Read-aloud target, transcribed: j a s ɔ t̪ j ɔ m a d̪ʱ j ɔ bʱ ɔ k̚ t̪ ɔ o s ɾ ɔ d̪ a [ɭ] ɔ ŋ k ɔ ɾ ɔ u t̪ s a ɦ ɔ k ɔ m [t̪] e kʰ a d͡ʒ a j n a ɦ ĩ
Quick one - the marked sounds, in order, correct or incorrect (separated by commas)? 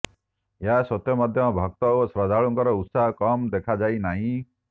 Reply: correct, incorrect